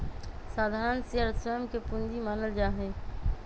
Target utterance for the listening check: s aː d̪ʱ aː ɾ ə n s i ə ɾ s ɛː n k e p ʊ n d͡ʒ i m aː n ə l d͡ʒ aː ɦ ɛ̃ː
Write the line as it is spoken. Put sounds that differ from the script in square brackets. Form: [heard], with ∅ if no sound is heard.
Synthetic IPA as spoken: s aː d̪ʱ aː ɾ ə n s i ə ɾ s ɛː [m] k e p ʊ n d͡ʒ i m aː n ə l d͡ʒ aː ɦ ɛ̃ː

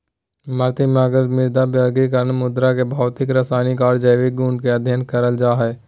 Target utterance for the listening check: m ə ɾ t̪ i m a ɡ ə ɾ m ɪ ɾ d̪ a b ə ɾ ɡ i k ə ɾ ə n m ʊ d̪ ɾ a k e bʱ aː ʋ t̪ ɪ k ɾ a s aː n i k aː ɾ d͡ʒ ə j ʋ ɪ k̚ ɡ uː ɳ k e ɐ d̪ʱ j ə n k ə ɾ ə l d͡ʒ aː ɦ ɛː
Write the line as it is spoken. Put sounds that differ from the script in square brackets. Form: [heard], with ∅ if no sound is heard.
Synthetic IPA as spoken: m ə ɾ t̪ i m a ɡ ə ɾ m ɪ ɾ d̪ a b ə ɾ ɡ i k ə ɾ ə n m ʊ d̪ ɾ a k e bʱ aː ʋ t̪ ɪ k ɾ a s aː n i k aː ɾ d͡ʒ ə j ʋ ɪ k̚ ɡ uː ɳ k e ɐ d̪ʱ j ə n k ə ɾ ə l d͡ʒ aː ɦ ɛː

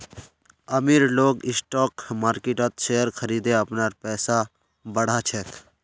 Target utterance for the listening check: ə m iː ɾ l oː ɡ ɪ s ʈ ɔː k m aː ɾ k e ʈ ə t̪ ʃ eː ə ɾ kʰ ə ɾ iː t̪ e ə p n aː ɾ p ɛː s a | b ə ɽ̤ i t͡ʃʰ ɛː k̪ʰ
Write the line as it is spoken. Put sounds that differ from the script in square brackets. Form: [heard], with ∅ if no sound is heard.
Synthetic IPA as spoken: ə m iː ɾ l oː ɡ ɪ s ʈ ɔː k m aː ɾ k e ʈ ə t̪ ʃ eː ə ɾ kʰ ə ɾ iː [d̪] e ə p n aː ɾ p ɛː s a | b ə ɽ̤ [a] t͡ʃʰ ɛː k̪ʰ

